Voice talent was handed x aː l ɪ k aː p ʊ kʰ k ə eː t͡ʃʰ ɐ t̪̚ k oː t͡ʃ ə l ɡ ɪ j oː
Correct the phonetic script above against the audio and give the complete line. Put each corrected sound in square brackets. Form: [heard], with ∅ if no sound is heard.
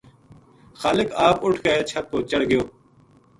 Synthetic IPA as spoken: x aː l ɪ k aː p ʊ [ʈʰ] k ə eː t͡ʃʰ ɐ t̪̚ k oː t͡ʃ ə [ɽ] ɡ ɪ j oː